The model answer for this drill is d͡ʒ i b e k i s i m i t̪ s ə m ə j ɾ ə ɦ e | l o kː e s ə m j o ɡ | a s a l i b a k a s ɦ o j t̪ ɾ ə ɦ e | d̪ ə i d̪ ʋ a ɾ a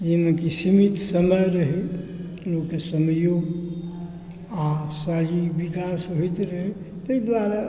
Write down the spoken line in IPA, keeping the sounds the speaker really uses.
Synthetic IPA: d͡ʒ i m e k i s i m i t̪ s ə m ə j ɾ ə ɦ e | l o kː e s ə m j o ɡ | a s a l i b i k a s ɦ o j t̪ ɾ ə ɦ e | t̪ ə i d̪ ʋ a ɾ a